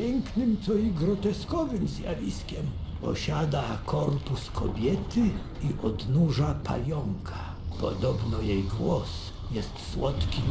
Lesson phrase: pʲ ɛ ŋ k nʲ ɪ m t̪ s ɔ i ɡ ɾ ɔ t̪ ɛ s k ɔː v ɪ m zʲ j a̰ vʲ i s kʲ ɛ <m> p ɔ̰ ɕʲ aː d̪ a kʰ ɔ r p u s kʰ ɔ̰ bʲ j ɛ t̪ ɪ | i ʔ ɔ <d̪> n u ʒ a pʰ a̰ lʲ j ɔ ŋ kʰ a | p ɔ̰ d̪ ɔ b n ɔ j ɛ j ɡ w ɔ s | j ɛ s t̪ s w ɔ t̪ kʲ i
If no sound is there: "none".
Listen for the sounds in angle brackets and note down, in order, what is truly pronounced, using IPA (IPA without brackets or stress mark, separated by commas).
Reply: m, d̪